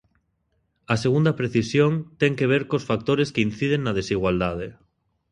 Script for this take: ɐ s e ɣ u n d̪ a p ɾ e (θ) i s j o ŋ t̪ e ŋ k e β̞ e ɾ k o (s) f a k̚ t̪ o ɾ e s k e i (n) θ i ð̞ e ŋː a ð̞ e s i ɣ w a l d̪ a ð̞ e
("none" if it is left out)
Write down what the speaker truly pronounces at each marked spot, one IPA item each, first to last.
θ, s, n

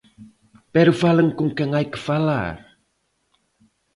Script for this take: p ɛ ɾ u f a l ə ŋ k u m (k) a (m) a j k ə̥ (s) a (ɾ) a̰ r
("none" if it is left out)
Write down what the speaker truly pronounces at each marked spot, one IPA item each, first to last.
k, ŋ, f, l

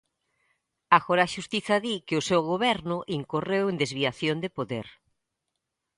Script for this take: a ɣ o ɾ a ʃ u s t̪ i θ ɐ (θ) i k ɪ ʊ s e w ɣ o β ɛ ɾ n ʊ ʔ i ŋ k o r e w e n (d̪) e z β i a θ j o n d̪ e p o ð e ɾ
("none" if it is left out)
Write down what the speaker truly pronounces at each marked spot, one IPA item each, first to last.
ð, d̪

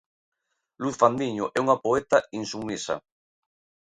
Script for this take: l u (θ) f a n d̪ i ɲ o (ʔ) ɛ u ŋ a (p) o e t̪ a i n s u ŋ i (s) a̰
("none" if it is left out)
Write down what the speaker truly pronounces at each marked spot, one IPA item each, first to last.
θ, ʔ, p, s

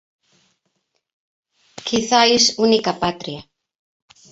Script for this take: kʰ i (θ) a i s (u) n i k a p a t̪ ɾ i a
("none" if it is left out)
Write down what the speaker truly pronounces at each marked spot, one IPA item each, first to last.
θ, u

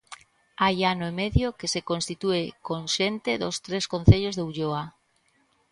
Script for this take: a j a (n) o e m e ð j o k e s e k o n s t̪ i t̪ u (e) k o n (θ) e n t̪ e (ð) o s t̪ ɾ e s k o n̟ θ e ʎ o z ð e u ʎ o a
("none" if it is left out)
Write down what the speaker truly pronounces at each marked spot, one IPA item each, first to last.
n, e, ʃ, ð

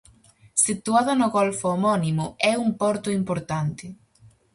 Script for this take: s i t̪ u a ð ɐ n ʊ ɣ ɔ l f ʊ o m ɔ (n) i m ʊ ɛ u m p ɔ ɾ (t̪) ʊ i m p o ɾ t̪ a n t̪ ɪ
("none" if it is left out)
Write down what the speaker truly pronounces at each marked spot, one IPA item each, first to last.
n, t̪

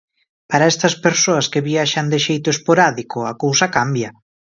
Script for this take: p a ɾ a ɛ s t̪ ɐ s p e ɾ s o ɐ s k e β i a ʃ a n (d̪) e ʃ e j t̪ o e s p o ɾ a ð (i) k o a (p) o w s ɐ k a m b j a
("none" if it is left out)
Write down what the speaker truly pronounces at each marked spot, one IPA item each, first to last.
d̪, i, k

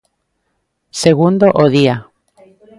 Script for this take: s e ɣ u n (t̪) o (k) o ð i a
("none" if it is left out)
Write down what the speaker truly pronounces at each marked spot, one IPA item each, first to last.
d̪, ʔ

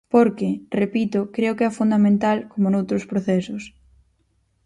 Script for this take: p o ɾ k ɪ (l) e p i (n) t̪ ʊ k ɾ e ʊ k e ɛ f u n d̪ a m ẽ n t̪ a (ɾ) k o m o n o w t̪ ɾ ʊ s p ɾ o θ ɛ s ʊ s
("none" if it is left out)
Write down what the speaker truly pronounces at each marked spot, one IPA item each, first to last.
r, none, l

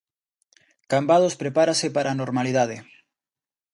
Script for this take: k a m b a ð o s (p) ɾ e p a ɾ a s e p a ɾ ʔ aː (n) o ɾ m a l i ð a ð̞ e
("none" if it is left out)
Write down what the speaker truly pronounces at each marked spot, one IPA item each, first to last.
p, n

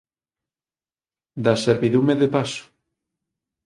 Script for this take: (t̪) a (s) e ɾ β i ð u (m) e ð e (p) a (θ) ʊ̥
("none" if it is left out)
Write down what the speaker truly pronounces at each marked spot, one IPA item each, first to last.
d̪, s, m, p, s

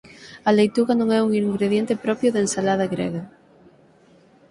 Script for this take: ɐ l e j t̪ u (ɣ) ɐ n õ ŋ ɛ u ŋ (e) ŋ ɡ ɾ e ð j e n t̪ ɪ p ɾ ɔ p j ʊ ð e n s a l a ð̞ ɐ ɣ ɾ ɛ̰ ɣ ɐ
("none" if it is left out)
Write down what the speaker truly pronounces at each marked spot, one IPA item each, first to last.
ɣ, i

